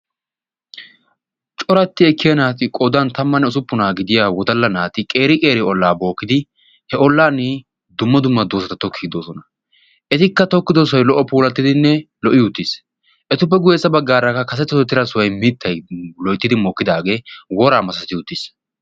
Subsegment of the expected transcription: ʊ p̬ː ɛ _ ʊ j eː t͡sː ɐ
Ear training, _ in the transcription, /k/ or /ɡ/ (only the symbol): ɡ